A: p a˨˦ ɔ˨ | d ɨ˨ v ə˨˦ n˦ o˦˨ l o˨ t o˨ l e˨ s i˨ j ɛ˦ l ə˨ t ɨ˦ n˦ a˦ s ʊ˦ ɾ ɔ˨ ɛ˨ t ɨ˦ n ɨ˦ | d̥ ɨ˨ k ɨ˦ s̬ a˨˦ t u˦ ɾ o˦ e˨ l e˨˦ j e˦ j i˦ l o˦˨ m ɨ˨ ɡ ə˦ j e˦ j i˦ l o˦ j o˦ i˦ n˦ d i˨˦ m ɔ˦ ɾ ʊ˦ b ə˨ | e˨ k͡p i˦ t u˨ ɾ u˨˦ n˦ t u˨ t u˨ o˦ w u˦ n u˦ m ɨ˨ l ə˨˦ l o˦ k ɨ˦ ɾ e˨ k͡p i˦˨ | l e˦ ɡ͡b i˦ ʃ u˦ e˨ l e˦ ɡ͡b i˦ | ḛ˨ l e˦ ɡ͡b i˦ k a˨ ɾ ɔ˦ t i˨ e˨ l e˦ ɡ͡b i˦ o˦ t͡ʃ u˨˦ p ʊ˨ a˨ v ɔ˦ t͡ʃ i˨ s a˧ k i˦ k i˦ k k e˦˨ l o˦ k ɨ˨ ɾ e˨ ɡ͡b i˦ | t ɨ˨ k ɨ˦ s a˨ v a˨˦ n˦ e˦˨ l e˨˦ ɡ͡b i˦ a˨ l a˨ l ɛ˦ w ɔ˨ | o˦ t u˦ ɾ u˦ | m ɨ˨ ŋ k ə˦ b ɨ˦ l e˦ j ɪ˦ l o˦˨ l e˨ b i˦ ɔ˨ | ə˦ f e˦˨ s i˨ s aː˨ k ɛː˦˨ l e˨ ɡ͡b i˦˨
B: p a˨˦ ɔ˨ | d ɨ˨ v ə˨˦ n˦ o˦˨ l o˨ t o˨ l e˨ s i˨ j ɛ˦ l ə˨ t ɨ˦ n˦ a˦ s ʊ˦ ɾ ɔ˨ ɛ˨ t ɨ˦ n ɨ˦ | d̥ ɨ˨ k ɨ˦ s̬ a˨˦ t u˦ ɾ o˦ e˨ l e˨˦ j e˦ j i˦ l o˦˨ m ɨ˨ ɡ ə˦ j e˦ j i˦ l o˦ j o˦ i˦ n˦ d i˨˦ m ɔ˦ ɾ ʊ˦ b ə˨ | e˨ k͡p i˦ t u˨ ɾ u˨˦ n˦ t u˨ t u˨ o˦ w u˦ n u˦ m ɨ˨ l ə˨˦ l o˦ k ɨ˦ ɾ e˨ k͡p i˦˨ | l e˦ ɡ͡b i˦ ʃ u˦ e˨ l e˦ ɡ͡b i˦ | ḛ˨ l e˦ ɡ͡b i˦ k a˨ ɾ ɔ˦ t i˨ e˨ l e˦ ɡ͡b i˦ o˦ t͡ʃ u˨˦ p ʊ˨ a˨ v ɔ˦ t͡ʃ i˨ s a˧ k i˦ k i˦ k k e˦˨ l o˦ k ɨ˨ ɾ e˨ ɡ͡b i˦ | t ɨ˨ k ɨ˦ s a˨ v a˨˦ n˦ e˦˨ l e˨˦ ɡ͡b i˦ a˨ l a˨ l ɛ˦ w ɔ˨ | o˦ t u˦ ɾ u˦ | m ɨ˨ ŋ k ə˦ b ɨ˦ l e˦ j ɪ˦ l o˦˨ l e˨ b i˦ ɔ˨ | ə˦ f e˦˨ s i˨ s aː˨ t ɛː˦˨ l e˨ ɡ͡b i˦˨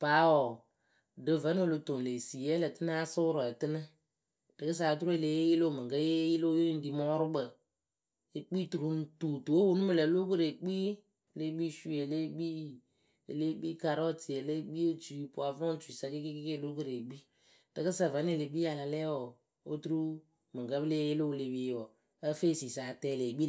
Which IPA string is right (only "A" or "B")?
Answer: B